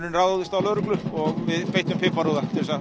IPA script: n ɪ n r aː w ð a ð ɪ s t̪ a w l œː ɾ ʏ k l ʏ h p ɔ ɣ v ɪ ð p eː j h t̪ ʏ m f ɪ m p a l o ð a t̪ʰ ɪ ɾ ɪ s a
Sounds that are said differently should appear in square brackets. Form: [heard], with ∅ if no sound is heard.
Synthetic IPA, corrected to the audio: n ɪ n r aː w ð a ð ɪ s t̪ a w l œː ɾ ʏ k l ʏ h p ɔ ɣ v ɪ ð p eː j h t̪ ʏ m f ɪ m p a [ɾ] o ð a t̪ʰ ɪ ɾ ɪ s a